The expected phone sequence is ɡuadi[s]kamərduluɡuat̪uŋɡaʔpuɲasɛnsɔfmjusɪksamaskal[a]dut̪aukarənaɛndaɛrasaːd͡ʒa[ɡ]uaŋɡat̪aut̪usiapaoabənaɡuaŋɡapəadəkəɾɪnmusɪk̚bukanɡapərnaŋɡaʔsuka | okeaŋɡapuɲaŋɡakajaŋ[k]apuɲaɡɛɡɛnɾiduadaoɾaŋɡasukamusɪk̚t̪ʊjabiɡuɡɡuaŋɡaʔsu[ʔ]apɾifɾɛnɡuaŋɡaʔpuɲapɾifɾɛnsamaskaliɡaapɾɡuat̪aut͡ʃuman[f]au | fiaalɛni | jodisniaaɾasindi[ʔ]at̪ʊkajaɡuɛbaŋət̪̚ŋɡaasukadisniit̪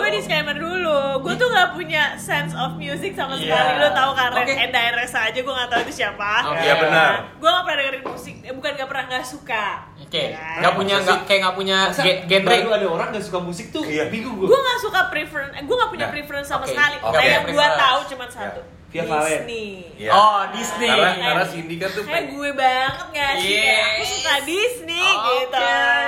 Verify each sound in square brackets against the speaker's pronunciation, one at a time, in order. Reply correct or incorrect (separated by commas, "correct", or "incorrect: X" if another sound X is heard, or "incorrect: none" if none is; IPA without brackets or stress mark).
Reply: correct, incorrect: i, correct, incorrect: ɡ, incorrect: k, incorrect: s, incorrect: k